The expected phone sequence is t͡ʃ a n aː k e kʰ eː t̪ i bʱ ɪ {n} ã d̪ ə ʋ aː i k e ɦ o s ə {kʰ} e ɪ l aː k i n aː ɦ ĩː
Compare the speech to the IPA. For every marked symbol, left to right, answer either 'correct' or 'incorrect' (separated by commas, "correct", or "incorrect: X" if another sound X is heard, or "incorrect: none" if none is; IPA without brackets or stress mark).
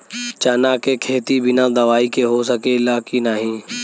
correct, incorrect: k